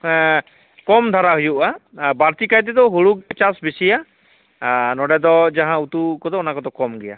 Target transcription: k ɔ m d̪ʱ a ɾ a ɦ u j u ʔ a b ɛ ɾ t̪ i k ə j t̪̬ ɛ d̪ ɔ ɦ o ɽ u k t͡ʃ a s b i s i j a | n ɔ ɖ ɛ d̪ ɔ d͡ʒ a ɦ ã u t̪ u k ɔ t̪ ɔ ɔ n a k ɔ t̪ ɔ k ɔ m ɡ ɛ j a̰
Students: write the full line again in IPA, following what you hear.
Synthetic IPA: k ɔ m d̪ʱ a ɾ a ɦ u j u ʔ a b a ɾ t̪ i k a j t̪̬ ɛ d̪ ɔ ɦ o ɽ u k t͡ʃ a s b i s i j a | n ɔ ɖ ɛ d̪ ɔ d͡ʒ a ɦ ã u t̪ u k ɔ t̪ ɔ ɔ n a k ɔ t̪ ɔ k ɔ m ɡ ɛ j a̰